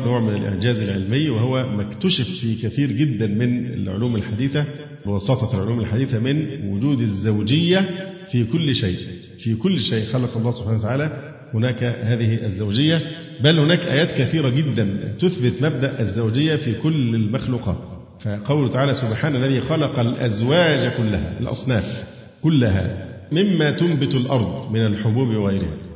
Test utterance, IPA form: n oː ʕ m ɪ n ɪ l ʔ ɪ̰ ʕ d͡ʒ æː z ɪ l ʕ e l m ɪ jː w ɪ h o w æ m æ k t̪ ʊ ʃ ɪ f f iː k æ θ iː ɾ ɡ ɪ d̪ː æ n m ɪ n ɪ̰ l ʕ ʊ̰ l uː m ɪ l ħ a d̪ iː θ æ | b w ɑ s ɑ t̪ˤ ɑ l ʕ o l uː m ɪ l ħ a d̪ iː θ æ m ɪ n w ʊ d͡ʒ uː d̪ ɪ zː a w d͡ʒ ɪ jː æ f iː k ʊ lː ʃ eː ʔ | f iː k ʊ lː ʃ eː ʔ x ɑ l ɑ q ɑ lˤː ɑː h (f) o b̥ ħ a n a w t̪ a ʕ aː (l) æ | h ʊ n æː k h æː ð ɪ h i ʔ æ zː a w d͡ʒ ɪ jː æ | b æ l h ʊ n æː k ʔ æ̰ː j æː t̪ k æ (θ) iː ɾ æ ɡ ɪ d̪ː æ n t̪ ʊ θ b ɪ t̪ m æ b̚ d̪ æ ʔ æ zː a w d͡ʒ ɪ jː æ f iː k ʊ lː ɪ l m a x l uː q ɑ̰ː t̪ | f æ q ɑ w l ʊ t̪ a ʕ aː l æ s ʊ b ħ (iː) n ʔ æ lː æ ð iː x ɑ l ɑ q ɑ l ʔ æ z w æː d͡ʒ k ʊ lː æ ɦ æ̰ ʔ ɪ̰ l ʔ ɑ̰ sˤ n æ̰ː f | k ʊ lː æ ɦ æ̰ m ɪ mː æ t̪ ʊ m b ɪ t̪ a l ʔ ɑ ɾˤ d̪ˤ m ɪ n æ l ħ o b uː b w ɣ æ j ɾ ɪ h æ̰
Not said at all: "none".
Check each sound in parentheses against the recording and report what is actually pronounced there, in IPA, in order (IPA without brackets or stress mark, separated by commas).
s, l, θ, aː